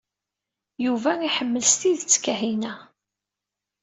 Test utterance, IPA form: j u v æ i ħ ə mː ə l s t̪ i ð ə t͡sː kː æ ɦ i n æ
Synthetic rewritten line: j u v æ i ħ ə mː ə l s t̪ i ð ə t͡sː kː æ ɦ i n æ